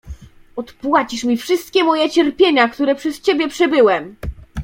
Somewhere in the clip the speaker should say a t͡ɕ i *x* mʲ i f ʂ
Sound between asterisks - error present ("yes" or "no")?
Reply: yes